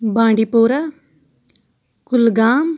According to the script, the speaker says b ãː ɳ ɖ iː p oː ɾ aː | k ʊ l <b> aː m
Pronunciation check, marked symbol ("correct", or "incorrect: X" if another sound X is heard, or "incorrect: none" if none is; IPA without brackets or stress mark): incorrect: ɡ